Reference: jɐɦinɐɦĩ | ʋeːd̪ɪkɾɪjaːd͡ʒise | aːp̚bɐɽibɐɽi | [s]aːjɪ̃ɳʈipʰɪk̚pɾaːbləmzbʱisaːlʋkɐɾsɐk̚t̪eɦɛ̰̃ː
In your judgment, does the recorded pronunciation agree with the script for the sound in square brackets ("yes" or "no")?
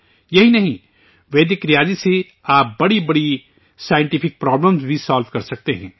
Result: yes